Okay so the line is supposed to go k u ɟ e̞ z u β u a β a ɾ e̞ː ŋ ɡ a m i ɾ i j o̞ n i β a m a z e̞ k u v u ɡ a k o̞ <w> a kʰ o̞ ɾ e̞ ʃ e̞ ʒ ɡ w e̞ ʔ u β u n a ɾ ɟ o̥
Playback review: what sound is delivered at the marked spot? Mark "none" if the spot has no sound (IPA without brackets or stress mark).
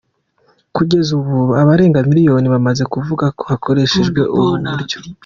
β